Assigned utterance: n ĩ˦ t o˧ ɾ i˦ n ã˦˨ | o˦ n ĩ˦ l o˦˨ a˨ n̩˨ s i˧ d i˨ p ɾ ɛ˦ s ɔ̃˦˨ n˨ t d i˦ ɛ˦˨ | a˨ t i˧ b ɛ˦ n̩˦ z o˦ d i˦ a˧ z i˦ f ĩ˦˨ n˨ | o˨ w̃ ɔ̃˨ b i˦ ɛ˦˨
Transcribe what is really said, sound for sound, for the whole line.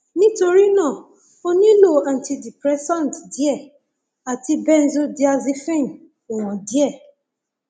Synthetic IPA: n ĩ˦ t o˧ ɾ i˦ n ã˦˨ | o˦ n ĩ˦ l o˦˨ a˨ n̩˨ t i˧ d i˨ p ɾ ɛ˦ s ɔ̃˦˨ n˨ t d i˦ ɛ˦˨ | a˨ t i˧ b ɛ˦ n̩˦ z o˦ d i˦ a˧ z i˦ f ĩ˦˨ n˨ | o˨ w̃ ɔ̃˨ d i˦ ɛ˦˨